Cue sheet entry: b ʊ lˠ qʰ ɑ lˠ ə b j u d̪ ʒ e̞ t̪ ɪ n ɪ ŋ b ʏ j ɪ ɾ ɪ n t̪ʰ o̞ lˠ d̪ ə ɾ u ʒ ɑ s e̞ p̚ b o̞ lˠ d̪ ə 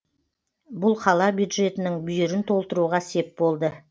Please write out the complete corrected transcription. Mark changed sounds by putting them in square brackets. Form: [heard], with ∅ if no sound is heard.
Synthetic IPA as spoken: b ʊ lˠ qʰ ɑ lˠ [ɑ] b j u d̪ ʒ e̞ t̪ ɪ n ɪ ŋ b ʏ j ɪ ɾ ɪ n t̪ʰ o̞ lˠ [t̪] ə ɾ u [ʁ] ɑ s e̞ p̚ b o̞ lˠ d̪ ə